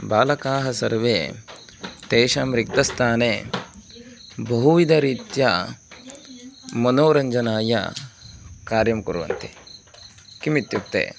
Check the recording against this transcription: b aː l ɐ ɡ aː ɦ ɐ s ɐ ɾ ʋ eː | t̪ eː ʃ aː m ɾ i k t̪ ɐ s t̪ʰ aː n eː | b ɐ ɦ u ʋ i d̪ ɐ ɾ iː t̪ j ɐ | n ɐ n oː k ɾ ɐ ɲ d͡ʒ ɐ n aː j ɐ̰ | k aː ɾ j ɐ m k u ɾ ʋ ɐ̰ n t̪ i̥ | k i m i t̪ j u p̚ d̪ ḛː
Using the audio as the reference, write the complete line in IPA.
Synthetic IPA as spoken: b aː l ɐ k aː ɦ ɐ s ɐ ɾ ʋ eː | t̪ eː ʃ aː m ɾ i k t̪ ɐ s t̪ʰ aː n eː | b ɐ ɦ u ʋ i d̪ ɐ ɾ iː t̪ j ɐ | m ɐ n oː ɾ ɐ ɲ d͡ʒ ɐ n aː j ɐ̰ | k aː ɾ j ɐ m k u ɾ ʋ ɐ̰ n t̪ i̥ | k i m i t̪ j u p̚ t̪ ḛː